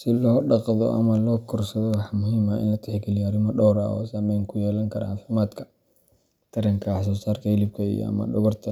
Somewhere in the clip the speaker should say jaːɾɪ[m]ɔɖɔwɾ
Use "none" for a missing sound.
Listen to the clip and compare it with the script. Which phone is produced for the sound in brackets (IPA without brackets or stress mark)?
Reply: m